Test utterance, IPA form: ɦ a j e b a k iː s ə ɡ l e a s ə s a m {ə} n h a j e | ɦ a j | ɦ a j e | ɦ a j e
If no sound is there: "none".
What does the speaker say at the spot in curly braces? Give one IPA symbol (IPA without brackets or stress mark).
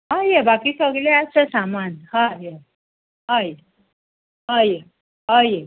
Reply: a